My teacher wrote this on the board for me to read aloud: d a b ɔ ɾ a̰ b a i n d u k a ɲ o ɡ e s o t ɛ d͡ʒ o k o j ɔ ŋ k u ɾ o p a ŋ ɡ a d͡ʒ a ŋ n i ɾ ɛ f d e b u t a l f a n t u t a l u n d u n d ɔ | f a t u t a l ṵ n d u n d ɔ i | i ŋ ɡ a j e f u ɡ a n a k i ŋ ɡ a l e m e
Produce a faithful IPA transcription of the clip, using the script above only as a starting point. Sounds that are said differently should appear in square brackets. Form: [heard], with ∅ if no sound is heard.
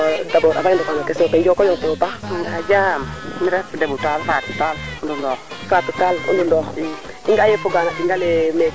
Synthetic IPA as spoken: d a b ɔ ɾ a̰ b a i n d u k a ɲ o [k] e s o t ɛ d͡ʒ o k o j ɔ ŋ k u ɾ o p a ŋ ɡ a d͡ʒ a [m] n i ɾ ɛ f d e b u t a l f a [∅] t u t a l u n d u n d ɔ | f a t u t a l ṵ n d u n d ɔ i | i ŋ ɡ a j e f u ɡ a n a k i ŋ ɡ a l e m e